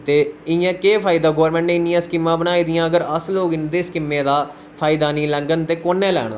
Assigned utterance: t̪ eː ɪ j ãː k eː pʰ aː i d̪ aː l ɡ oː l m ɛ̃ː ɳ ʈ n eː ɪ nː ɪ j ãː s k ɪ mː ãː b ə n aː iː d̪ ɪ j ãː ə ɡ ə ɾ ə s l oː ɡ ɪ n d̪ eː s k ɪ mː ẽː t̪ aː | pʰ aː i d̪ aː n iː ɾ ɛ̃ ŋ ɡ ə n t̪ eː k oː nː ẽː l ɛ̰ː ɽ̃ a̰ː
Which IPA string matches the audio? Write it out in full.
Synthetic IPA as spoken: t̪ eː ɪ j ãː k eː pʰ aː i d̪ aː ɡ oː ɾ m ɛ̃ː ɳ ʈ n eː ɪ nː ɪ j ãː s k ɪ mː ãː b ə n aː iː d̪ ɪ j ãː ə ɡ ə ɾ ə s l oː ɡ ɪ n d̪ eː s k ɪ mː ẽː d̪ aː | pʰ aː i d̪ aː n iː l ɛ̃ ŋ ɡ ə n t̪ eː k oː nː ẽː l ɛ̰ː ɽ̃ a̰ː